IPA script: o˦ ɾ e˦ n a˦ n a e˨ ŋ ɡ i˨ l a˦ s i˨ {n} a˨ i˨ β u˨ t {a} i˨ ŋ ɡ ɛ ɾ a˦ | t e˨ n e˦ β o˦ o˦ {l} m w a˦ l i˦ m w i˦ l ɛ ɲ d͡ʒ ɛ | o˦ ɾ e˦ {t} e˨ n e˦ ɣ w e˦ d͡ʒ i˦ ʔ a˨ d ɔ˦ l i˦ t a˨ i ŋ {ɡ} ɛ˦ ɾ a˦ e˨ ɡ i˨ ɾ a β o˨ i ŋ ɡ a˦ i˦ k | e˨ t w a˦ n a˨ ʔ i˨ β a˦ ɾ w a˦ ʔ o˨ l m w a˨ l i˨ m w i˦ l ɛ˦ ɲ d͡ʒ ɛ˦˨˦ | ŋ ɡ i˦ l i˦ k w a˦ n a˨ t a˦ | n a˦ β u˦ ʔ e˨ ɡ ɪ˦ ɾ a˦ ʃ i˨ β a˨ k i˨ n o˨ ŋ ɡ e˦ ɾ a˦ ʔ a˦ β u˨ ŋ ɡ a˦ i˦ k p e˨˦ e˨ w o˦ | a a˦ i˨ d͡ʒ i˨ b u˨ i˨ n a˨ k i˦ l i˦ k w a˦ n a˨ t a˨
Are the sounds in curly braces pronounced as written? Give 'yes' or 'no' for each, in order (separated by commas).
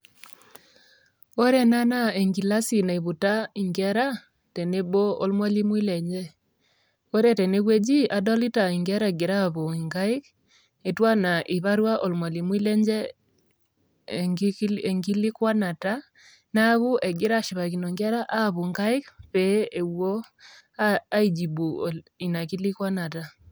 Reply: yes, yes, yes, yes, yes